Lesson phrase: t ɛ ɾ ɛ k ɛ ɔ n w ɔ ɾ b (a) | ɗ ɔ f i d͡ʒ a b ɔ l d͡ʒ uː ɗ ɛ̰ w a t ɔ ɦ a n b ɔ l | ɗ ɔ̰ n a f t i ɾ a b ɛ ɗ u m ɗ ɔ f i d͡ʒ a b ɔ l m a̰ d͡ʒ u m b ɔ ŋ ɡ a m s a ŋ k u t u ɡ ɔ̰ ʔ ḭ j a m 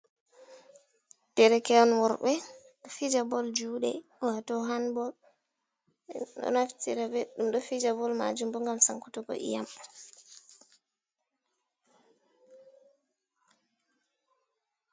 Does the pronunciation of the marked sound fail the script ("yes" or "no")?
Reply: yes